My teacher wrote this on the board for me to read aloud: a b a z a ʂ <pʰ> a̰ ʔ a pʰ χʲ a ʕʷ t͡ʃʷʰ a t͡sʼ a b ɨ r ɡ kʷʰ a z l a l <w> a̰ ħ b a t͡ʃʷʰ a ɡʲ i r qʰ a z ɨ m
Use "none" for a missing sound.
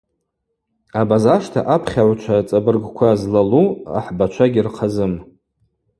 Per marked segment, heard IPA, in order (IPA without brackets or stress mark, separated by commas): tʰ, u